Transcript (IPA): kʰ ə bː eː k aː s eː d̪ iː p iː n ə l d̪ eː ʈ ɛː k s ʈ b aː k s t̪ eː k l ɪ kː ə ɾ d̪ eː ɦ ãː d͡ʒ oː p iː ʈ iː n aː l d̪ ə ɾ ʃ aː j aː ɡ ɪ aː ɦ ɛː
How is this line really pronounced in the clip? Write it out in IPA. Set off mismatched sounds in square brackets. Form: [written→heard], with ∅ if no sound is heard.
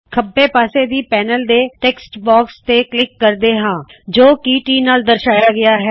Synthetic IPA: kʰ ə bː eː [k→p] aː s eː d̪ iː p [iː→ɛː] n ə l d̪ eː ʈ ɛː k s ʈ b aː k s t̪ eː k l ɪ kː ə ɾ d̪ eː ɦ ãː d͡ʒ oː [p→k] iː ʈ iː n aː l d̪ ə ɾ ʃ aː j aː ɡ ɪ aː ɦ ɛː